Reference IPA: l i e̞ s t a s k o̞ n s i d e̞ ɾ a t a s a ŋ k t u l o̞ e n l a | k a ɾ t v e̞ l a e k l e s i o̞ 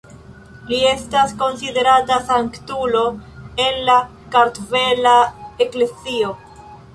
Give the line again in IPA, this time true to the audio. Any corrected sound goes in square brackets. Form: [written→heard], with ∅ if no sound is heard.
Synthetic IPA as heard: l i e̞ s t a s k o̞ n s i d e̞ ɾ a t a s a ŋ k t u l o̞ e n l a | k a ɾ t v e̞ l a e k l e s i o̞